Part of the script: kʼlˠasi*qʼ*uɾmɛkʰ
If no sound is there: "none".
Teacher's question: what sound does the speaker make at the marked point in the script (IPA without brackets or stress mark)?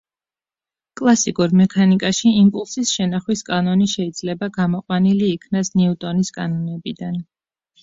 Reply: kʼ